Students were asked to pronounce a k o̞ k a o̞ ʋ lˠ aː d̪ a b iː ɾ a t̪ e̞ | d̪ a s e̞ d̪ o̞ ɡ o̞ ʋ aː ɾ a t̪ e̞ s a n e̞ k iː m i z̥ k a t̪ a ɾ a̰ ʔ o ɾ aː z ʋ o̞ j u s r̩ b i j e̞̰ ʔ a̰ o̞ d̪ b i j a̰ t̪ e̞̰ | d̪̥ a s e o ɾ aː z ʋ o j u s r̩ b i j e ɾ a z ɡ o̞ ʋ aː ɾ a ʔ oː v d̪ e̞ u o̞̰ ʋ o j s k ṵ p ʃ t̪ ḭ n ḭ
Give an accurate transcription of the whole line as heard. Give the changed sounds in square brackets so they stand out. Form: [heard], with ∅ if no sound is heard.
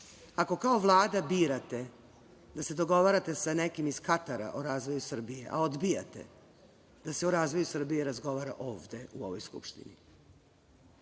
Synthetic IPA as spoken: a k o̞ k a o̞ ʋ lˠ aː d̪ a b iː ɾ a t̪ e̞ | d̪ a s e̞ d̪ o̞ ɡ o̞ ʋ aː ɾ a t̪ e̞ s a n e̞ k [i] m i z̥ k a t̪ a ɾ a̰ ʔ o ɾ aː z ʋ o̞ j u s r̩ b i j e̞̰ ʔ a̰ o̞ d̪ b i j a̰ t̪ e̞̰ | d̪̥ a s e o ɾ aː z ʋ o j u s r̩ b i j e ɾ a z ɡ o̞ ʋ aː ɾ a ʔ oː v d̪ e̞ u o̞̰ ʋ o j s k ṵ p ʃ t̪ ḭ n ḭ